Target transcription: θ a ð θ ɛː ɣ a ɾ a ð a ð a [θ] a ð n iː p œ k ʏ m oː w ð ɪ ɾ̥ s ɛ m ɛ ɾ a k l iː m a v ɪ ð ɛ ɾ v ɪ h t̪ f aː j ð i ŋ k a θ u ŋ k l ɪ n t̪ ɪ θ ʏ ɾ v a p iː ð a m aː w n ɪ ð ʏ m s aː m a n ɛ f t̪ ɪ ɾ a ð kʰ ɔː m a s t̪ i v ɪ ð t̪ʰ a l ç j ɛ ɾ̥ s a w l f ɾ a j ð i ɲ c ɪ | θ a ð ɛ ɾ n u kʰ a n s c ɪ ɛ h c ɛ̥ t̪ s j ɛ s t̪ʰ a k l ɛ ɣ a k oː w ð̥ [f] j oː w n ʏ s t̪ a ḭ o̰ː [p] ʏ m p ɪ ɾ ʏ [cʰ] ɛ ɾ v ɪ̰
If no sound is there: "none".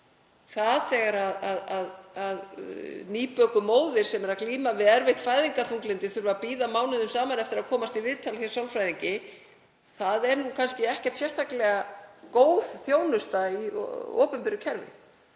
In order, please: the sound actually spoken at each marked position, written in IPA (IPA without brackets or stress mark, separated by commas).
ð, θ, p, cʰ